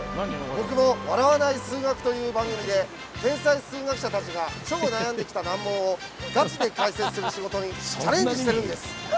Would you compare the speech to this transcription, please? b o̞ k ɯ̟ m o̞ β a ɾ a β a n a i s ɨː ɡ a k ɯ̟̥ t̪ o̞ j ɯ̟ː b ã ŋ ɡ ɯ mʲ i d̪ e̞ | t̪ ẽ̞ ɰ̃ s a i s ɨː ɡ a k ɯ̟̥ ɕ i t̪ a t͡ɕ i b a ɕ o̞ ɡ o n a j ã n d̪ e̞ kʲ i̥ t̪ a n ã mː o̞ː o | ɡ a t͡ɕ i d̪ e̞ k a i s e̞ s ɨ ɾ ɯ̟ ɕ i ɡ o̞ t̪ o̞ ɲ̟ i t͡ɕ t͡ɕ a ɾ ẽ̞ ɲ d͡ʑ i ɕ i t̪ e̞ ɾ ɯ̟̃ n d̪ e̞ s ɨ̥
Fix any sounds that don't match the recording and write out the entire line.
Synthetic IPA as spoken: b o̞ k ɯ̟ m o̞ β a ɾ a β a n a i s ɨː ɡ a k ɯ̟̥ t̪ o̞ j ɯ̟ː b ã ŋ ɡ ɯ mʲ i d̪ e̞ | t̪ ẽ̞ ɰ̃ s a i s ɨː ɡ a k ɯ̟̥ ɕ a t̪ a t͡ɕ i ɡ a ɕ o̞ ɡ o n a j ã n d̪ e̞ kʲ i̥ t̪ a n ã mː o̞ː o | ɡ a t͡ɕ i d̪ e̞ k a i s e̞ s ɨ ɾ ɯ̟ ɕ i ɡ o̞ t̪ o̞ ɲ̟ i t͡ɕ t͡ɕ a ɾ ẽ̞ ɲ d͡ʑ i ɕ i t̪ e̞ ɾ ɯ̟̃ n d̪ e̞ s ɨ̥